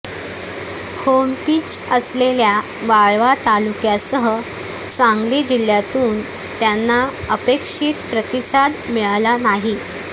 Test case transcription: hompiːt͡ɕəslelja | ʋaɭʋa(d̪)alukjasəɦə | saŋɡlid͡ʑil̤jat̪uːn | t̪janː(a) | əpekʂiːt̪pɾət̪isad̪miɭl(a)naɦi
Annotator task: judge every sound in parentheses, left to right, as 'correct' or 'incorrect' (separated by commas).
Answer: incorrect, correct, correct